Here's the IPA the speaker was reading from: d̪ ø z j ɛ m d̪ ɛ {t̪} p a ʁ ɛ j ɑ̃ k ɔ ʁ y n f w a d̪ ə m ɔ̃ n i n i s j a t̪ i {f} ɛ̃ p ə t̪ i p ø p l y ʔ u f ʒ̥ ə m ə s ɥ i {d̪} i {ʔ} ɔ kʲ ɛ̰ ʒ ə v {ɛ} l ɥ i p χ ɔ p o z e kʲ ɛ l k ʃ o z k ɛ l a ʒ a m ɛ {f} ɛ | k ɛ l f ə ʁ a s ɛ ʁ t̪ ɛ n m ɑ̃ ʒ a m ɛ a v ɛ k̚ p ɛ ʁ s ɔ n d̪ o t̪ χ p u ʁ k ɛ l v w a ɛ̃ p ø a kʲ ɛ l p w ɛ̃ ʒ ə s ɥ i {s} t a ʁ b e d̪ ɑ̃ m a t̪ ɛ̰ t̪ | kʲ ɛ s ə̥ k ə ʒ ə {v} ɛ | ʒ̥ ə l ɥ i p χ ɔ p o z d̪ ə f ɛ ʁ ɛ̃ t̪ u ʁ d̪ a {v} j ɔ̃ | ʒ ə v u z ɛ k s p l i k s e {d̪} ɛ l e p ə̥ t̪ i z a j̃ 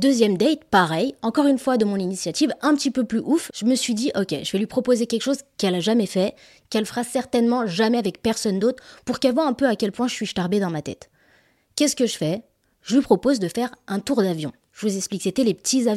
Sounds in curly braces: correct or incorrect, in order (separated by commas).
correct, incorrect, correct, correct, correct, correct, incorrect, incorrect, correct, incorrect